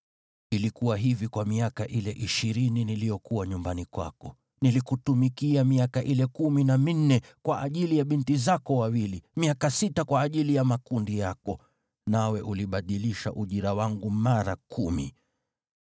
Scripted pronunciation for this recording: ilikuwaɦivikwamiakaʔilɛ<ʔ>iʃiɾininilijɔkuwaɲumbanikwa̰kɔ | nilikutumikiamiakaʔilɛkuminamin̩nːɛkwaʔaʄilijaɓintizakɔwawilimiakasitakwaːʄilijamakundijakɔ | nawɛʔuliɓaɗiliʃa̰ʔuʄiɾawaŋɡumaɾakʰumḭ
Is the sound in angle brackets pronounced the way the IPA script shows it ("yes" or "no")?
yes